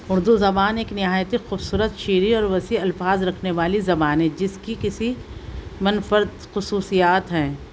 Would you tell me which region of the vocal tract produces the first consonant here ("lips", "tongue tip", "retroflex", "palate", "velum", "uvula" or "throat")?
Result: tongue tip